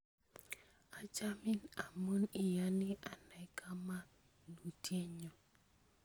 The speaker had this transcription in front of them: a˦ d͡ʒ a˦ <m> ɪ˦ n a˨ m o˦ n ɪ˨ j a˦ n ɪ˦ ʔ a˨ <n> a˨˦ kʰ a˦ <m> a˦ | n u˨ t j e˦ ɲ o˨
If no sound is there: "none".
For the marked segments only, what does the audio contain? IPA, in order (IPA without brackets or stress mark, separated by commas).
m, n, m